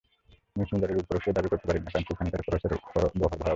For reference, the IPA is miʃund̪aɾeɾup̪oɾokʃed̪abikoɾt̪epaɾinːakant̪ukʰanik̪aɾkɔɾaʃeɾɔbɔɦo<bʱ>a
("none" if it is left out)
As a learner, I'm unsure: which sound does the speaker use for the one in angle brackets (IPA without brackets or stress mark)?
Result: bʱ